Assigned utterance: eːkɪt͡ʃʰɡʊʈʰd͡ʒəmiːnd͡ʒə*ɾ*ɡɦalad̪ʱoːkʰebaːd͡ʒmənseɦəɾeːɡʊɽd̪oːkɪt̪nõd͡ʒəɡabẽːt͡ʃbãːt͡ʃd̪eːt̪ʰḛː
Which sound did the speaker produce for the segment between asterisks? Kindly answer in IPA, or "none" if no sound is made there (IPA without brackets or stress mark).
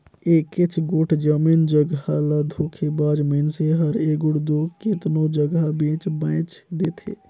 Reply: none